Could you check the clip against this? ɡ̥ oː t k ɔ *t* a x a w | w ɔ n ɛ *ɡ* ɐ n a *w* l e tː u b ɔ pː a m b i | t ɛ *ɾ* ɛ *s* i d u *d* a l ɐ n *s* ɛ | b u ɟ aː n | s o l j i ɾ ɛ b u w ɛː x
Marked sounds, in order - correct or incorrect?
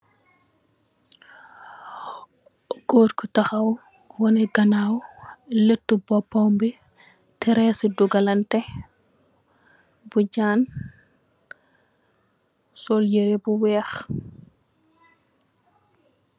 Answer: correct, correct, correct, correct, correct, incorrect, incorrect

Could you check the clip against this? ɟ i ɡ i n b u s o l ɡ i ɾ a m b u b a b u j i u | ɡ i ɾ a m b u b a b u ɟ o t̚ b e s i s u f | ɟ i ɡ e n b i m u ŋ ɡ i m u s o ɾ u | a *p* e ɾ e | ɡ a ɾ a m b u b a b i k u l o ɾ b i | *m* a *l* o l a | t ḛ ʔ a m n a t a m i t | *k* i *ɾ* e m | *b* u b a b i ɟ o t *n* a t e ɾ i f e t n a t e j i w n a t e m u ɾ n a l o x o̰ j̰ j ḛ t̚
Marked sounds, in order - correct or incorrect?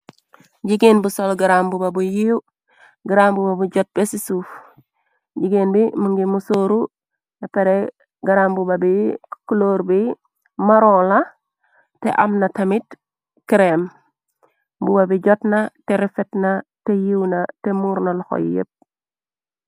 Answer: correct, correct, incorrect, correct, correct, correct, correct

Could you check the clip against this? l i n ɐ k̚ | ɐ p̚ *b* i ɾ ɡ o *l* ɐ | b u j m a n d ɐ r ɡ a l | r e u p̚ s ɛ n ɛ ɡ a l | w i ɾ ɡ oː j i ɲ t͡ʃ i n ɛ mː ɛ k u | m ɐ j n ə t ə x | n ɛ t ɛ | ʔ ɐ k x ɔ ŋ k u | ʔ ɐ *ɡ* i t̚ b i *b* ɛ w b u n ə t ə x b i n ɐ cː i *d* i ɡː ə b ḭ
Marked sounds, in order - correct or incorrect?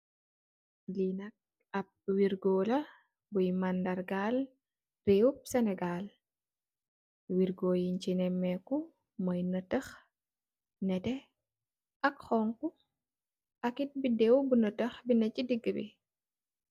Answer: incorrect, correct, incorrect, incorrect, correct

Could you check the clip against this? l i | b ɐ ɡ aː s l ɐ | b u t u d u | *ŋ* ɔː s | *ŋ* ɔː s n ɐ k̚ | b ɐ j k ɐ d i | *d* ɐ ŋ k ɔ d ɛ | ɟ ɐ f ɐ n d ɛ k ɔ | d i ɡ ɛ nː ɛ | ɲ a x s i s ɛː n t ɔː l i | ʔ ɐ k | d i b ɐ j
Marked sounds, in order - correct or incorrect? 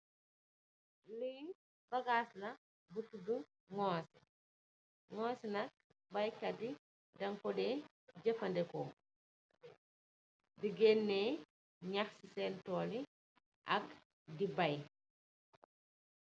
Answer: correct, correct, correct

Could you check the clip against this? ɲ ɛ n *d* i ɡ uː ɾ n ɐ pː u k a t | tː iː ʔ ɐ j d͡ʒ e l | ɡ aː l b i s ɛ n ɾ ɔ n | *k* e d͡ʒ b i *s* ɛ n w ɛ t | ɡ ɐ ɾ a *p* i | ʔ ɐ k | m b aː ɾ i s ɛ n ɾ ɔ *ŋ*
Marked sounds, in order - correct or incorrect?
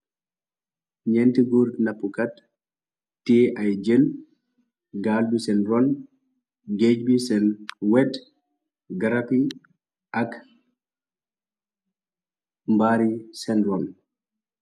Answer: incorrect, incorrect, correct, correct, incorrect

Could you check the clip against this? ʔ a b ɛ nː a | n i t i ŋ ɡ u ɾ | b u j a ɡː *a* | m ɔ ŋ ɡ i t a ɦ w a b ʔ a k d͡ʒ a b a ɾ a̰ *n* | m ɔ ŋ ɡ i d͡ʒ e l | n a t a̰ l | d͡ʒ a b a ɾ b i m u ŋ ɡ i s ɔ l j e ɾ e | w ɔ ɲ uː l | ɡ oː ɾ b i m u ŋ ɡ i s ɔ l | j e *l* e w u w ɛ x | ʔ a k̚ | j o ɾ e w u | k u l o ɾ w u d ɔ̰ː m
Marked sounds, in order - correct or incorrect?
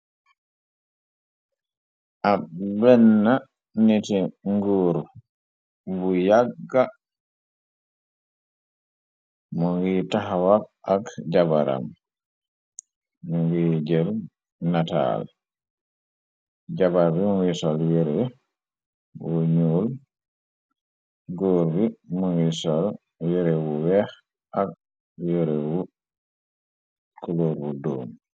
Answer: correct, incorrect, incorrect

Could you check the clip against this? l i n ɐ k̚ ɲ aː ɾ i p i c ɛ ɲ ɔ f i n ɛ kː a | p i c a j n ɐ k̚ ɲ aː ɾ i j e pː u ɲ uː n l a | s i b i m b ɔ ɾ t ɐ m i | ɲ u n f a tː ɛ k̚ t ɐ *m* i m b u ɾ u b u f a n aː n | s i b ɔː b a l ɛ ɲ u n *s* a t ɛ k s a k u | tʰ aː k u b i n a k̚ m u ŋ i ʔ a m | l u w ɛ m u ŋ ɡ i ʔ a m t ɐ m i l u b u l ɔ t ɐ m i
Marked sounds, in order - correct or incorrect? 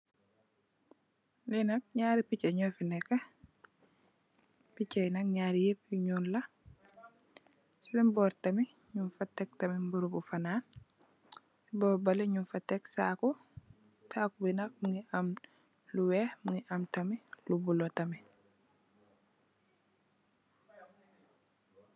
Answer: correct, incorrect

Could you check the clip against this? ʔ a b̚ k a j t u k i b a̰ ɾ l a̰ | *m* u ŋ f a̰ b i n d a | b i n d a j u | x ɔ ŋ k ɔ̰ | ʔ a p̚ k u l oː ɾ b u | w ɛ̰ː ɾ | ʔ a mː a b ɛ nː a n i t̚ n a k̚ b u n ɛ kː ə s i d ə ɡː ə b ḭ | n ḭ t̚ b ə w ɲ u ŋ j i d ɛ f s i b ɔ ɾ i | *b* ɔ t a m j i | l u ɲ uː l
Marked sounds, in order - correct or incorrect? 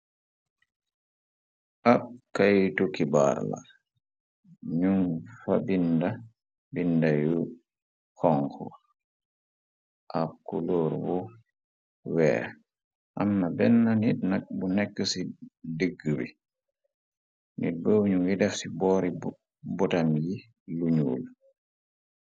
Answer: incorrect, correct

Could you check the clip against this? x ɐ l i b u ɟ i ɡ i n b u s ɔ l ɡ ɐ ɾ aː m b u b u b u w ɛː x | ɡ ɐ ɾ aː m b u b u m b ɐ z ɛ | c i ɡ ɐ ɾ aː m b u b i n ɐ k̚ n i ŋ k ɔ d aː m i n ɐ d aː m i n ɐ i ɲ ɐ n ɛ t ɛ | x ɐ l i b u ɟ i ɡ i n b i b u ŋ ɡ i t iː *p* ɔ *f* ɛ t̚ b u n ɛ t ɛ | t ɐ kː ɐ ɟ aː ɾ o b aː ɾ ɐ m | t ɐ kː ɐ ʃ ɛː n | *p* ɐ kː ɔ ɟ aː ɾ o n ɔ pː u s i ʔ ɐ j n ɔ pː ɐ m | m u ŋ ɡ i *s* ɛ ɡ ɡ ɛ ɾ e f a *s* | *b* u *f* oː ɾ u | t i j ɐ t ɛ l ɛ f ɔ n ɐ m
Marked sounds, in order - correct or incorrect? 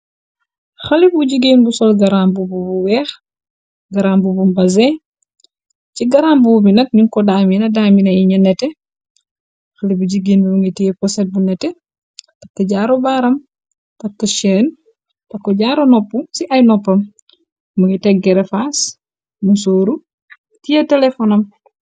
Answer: correct, incorrect, incorrect, incorrect, correct, incorrect, incorrect

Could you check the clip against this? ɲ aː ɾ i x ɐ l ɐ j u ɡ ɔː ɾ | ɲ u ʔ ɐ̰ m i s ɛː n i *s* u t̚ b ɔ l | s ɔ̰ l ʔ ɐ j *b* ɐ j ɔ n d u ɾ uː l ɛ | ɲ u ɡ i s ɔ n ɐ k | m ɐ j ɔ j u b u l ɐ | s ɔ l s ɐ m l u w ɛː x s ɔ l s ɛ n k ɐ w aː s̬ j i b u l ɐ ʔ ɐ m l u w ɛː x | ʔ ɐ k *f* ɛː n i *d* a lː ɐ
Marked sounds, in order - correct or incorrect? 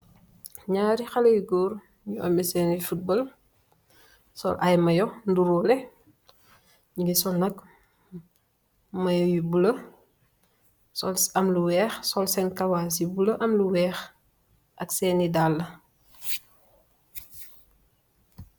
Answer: incorrect, incorrect, incorrect, correct

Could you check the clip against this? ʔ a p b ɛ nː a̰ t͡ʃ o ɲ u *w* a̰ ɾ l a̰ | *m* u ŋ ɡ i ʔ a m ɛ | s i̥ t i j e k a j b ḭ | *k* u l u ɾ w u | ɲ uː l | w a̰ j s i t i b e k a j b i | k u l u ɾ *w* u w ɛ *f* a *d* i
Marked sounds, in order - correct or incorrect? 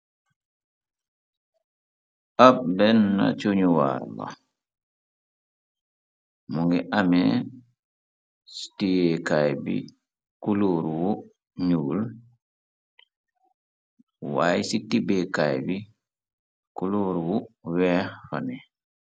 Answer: correct, correct, correct, correct, correct, incorrect

